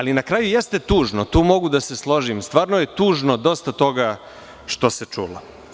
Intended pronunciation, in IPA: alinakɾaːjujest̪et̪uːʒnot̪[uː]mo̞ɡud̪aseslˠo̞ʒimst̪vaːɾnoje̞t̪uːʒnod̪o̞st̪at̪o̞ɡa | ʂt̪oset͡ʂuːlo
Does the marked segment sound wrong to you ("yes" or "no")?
no